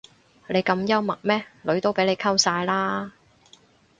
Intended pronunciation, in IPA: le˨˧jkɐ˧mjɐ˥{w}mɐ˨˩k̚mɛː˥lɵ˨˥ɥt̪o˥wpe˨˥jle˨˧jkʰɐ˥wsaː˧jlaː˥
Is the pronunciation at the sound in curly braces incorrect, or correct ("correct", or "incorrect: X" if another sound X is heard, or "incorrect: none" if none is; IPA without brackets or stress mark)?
correct